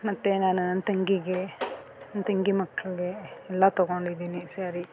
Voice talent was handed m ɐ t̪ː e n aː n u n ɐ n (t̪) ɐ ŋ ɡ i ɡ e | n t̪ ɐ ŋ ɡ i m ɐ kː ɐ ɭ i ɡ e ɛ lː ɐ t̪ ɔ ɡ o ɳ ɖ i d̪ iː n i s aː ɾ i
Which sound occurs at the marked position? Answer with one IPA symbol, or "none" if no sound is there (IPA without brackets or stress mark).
t̪